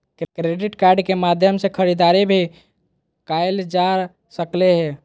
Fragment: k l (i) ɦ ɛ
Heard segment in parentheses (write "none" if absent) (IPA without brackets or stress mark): e